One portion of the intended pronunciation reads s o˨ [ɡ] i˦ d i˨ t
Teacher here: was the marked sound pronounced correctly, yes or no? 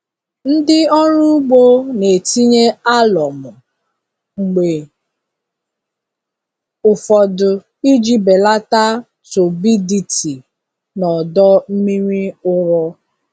no